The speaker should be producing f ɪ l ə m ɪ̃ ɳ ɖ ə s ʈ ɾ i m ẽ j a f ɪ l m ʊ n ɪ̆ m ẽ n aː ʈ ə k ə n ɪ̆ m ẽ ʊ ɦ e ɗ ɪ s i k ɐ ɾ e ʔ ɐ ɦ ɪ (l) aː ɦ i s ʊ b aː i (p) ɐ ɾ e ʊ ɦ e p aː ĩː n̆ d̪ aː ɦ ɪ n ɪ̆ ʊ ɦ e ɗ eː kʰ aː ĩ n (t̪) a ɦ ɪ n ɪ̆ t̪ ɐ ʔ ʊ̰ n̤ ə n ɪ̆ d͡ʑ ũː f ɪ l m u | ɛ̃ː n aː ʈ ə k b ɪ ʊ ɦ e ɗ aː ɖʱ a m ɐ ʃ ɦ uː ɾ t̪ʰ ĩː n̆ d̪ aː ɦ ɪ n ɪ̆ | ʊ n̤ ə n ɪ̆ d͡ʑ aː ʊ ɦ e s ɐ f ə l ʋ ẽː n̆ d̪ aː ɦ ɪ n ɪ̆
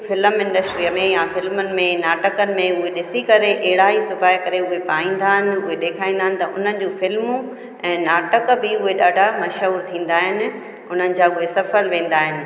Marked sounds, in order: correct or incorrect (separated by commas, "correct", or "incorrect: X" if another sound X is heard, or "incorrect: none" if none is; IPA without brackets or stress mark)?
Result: incorrect: ɽ, incorrect: k, incorrect: d̪